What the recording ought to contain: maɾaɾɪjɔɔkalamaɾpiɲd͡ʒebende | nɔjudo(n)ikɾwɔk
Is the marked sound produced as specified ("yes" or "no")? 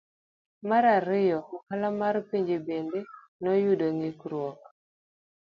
no